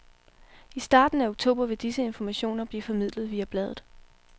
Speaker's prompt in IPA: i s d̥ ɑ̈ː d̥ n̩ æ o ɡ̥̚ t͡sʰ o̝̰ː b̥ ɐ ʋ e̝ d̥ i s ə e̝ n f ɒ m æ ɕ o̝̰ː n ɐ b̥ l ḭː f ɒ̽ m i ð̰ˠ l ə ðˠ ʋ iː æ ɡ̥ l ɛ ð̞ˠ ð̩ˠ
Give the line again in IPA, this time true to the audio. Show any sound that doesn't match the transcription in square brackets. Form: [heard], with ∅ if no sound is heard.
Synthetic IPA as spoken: i s d̥ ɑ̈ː d̥ n̩ æ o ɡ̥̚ t͡sʰ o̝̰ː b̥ ɐ ʋ e̝ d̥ i s ə e̝ n f ɒ m æ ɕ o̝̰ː n ɐ b̥ l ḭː f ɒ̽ m i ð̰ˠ l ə ðˠ ʋ iː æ [b̥] l ɛ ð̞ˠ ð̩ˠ